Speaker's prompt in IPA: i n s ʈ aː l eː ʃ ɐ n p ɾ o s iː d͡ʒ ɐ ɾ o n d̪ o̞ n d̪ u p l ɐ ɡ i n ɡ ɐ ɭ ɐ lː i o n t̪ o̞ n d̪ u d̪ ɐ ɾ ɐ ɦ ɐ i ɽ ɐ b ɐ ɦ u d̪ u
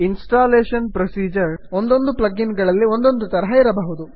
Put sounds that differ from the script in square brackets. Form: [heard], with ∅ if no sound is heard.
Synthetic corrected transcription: i n s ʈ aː l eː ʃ ɐ n p ɾ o s iː d͡ʒ ɐ ɾ o n d̪ o̞ n d̪ u p l ɐ ɡ i n ɡ ɐ ɭ ɐ lː i o n [d̪] o̞ n d̪ u [t̪] ɐ ɾ ɐ ɦ ɐ i [ɾ] ɐ b ɐ ɦ u d̪ u

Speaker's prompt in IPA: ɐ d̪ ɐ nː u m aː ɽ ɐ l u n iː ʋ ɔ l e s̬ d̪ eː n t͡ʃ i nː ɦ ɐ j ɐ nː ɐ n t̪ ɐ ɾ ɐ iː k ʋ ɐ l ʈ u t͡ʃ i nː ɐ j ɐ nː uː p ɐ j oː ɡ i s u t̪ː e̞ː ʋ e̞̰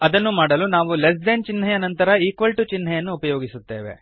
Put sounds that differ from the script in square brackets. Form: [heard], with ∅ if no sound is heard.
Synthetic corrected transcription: ɐ d̪ ɐ nː u m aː ɽ ɐ l u n [aː] ʋ [u] l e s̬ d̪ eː n t͡ʃ i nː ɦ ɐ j ɐ [n] ɐ n t̪ ɐ ɾ ɐ iː k ʋ ɐ l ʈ u t͡ʃ i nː ɐ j ɐ nː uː p ɐ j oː ɡ i s u t̪ː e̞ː ʋ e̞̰

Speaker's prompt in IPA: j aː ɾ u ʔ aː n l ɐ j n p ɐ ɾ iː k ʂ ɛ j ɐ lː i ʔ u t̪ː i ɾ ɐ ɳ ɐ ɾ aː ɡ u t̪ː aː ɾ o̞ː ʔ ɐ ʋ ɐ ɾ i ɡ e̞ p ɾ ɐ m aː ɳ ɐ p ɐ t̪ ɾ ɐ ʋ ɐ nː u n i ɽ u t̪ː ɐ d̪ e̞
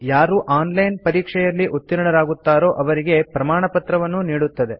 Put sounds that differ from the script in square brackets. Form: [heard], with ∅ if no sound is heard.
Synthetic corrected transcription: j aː ɾ u ʔ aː n l ɐ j n p ɐ ɾ iː k ʂ ɛ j ɐ lː i ʔ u t̪ː i ɾ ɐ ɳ ɐ ɾ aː ɡ u t̪ː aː ɾ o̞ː ʔ ɐ ʋ ɐ ɾ i ɡ e̞ p ɾ ɐ m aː ɳ ɐ p ɐ t̪ ɾ ɐ ʋ ɐ nː u n [iː] ɽ u t̪ː ɐ d̪ e̞

